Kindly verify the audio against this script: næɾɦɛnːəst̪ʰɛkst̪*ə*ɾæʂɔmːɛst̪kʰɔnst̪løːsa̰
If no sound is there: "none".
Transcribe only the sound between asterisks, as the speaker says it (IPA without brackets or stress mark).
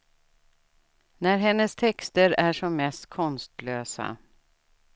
ə